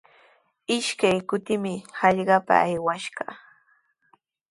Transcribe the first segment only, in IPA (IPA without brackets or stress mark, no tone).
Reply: ɪ